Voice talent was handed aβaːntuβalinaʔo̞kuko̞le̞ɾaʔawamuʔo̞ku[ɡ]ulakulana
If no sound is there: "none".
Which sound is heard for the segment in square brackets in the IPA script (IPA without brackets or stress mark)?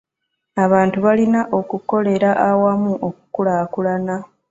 k